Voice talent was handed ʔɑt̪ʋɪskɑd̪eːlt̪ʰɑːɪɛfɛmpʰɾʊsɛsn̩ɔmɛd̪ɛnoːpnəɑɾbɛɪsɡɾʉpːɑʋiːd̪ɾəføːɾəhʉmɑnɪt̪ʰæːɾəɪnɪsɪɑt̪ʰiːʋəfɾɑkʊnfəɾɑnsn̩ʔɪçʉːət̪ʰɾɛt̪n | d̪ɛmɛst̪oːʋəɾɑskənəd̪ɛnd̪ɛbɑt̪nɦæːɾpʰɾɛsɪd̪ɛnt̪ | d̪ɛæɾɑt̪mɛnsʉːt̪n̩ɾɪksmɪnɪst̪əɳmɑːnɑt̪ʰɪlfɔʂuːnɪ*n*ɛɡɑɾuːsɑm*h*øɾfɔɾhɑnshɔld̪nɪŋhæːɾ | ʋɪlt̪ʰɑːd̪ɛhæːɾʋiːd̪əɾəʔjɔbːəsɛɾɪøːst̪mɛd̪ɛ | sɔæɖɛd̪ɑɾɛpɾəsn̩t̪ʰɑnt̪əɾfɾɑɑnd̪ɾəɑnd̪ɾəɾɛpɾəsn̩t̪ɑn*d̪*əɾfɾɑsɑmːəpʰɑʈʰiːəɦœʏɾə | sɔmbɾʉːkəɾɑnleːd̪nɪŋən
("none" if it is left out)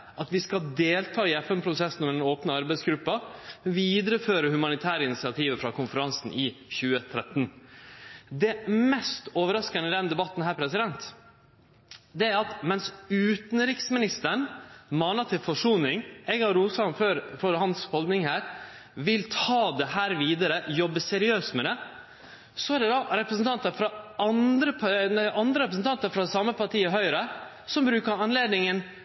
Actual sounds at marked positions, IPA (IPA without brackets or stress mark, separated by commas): ŋ, f, t̪